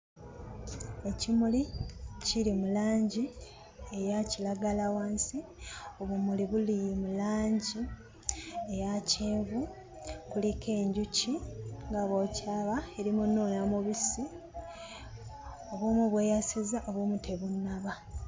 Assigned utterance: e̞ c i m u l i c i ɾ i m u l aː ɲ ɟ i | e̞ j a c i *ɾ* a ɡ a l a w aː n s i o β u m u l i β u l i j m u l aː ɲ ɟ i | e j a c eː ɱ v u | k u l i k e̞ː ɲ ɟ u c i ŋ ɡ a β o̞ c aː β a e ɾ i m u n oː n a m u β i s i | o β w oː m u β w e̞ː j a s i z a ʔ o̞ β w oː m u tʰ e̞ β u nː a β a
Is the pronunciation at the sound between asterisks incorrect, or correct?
incorrect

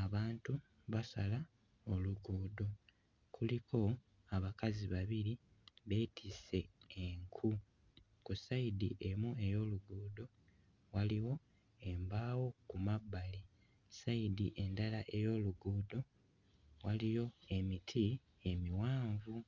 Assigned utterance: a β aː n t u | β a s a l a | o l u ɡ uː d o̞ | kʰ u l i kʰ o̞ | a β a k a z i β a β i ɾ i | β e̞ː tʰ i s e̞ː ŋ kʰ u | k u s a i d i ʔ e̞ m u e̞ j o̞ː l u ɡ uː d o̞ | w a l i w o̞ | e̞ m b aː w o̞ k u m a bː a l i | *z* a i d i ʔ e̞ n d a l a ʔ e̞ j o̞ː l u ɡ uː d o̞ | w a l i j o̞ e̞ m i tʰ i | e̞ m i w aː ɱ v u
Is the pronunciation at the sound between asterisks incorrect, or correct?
incorrect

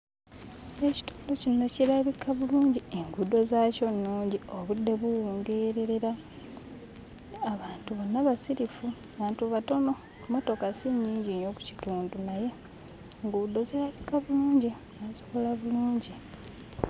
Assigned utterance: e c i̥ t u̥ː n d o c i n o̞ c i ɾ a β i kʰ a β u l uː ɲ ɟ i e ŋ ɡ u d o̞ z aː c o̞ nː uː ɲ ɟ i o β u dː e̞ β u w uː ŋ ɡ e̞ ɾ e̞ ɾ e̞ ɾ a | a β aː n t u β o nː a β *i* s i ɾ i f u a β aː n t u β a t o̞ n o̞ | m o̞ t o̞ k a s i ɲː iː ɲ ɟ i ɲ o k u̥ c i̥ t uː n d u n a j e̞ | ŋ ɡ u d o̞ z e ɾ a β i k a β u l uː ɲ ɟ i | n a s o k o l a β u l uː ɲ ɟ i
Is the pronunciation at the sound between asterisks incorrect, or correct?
incorrect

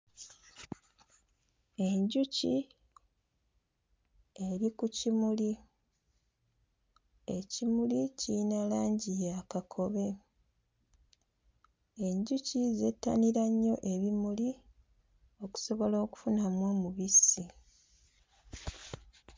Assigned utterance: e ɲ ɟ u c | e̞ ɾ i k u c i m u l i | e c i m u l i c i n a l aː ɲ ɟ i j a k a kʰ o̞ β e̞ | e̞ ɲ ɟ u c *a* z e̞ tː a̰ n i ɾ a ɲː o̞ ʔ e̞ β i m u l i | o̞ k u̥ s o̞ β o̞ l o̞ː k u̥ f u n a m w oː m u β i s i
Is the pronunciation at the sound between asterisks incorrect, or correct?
incorrect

